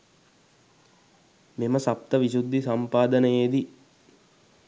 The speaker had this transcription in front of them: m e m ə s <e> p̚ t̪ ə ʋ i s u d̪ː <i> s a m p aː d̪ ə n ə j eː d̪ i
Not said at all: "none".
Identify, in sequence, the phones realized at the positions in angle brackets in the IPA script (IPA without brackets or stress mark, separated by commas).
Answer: a, i